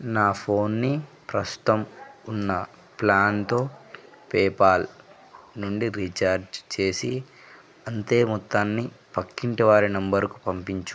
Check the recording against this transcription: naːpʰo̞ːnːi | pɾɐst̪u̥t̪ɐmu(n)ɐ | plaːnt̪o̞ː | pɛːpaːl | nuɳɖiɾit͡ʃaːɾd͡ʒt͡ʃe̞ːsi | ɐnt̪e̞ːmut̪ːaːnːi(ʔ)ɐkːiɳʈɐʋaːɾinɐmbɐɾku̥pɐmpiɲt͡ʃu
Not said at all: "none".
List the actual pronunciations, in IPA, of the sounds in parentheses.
nː, p

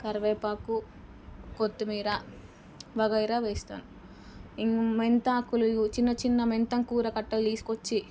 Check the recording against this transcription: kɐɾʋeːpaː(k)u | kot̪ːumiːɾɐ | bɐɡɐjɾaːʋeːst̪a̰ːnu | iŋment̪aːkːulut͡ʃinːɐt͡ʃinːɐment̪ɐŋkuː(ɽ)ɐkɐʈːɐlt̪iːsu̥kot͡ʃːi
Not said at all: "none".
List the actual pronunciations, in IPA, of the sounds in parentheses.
k, ɾ

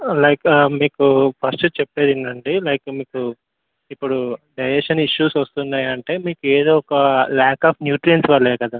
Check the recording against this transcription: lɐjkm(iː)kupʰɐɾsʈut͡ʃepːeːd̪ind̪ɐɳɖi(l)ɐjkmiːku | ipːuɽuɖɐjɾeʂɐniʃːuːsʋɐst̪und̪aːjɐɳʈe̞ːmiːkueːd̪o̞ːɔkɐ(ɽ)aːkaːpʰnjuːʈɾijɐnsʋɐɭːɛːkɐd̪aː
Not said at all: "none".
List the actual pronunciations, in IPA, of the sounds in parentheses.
iː, l, l

